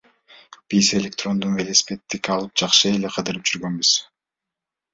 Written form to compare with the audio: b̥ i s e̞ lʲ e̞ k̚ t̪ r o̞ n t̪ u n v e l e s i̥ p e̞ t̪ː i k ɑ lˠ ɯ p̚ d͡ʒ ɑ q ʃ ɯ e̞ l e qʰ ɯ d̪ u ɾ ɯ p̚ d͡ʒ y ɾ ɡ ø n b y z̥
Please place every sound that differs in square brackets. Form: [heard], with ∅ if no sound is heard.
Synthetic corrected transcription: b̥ i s e̞ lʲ e̞ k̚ t̪ r o̞ n [d̪] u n v e l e s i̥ p e̞ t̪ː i k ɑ lˠ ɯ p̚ d͡ʒ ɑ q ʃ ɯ e̞ l e qʰ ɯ d̪ [ɯ] ɾ ɯ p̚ d͡ʒ y ɾ ɡ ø n b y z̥